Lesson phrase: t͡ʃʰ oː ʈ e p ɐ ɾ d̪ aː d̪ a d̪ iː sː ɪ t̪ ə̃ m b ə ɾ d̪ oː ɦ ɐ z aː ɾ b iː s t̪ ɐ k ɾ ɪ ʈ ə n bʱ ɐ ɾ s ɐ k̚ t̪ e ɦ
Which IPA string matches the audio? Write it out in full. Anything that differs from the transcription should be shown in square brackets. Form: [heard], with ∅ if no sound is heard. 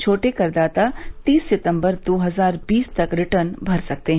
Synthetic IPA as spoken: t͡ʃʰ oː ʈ e [k] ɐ ɾ d̪ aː [t̪] a [t̪] iː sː ɪ t̪ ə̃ m b ə ɾ d̪ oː ɦ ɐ z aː ɾ b iː s t̪ ɐ k ɾ ɪ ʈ ə n bʱ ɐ ɾ s ɐ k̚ t̪ e ɦ